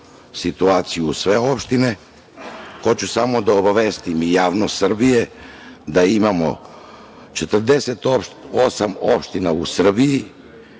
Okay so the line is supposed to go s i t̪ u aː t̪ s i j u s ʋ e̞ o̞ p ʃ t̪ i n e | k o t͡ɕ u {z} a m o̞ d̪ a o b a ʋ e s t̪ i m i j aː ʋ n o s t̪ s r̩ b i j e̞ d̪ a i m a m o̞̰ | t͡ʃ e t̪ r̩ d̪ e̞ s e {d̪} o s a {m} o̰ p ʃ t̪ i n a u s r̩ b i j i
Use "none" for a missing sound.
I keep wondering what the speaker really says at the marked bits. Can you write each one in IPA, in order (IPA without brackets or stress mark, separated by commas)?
s, t̪, m